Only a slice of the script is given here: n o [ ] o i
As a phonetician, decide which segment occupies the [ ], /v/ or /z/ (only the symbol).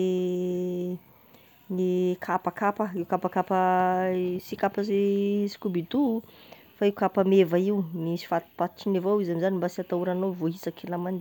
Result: v